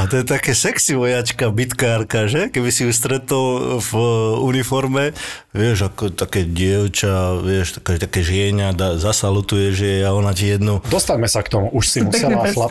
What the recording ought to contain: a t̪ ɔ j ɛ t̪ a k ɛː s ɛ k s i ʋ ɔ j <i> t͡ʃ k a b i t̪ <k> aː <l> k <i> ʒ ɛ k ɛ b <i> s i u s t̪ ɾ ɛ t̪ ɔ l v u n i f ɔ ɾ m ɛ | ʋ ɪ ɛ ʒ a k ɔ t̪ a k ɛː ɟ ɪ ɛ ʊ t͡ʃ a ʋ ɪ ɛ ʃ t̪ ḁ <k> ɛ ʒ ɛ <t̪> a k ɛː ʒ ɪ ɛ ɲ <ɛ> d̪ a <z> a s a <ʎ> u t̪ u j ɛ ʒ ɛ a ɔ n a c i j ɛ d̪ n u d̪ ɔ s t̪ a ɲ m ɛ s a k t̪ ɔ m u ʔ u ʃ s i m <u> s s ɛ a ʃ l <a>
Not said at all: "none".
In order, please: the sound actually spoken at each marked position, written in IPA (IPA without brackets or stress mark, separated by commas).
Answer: a, k, ɾ, a, i, k, t̪, a, z, l, u, a